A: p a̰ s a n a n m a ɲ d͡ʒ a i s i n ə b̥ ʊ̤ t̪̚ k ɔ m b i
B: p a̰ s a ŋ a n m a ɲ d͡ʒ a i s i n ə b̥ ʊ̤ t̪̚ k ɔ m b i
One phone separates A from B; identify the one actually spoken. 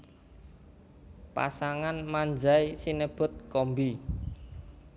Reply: B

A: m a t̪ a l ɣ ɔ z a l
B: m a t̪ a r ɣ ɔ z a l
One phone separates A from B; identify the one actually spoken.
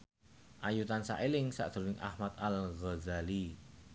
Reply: A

